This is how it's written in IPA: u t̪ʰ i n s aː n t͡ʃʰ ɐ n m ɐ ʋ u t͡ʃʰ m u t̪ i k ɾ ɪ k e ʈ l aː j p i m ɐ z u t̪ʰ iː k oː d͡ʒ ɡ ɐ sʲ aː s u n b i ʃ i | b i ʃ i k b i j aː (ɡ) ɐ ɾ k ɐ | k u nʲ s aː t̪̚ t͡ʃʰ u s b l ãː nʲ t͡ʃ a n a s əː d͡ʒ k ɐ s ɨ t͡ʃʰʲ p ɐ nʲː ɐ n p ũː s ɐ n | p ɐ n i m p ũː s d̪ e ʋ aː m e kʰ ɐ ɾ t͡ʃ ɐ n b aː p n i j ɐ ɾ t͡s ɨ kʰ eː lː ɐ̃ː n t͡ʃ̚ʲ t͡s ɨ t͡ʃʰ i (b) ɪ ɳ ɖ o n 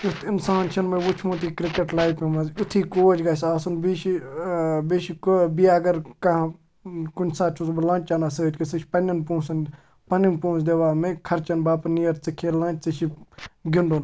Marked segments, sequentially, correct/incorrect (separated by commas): correct, incorrect